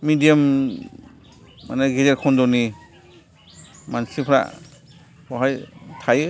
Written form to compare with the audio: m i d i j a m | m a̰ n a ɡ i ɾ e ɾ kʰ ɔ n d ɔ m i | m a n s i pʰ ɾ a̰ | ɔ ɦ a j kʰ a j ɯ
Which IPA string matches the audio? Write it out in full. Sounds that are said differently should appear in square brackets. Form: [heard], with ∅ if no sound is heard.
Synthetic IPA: m i d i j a m | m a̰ n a ɡ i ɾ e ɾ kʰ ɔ n d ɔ [n] i | m a n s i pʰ ɾ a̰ | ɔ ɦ a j [tʰ] a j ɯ